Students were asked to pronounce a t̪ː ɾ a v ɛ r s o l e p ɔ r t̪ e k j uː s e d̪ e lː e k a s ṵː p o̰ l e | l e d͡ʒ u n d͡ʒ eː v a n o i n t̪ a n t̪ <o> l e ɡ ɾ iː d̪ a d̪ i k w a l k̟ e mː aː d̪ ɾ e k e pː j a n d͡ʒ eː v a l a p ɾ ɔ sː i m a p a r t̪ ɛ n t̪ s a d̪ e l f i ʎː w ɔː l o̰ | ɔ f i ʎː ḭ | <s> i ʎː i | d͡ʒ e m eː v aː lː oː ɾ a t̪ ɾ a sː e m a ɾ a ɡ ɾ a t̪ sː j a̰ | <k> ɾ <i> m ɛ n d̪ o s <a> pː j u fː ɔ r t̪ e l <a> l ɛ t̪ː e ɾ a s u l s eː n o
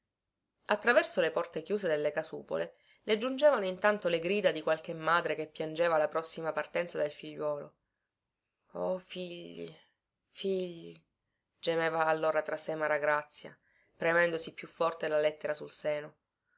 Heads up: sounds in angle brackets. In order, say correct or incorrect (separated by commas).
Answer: correct, incorrect, incorrect, incorrect, incorrect, correct